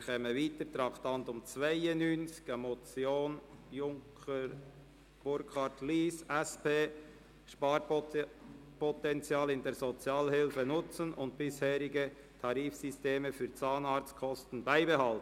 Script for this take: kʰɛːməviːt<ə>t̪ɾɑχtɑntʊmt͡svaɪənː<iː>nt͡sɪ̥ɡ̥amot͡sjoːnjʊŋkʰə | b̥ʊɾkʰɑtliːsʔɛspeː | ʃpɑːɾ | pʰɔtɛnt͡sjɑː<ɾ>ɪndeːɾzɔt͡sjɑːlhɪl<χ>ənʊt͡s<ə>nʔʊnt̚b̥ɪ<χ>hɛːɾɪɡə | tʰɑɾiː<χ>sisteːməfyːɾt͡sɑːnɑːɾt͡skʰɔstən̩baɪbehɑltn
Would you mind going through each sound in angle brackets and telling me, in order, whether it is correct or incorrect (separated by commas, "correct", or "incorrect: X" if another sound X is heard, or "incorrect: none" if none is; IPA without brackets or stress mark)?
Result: correct, incorrect: yː, incorrect: l, incorrect: f, correct, incorrect: s, incorrect: f